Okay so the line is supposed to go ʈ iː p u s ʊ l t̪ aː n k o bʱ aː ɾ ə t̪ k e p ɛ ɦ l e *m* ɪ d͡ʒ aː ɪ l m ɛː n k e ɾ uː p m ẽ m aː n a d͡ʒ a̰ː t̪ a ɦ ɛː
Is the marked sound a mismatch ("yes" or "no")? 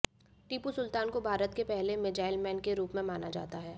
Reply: no